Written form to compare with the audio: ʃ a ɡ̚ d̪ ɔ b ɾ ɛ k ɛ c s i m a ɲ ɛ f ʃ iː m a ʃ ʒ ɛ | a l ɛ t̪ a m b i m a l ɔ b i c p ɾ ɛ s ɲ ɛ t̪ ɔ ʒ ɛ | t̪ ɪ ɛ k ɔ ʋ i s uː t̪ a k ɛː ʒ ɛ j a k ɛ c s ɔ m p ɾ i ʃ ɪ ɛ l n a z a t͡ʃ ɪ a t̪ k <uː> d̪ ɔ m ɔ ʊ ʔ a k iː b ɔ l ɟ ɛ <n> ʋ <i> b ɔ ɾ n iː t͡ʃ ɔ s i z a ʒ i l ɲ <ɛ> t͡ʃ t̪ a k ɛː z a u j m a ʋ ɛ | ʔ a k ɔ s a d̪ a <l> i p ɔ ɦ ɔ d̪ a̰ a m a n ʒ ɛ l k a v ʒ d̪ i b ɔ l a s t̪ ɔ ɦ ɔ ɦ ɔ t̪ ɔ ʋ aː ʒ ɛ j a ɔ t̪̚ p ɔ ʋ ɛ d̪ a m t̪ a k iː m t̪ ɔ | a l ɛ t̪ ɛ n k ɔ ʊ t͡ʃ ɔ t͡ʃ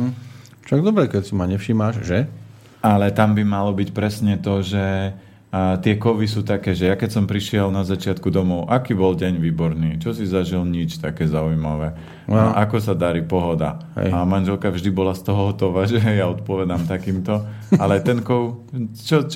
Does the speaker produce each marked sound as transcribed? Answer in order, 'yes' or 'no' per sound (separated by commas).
no, no, no, no, no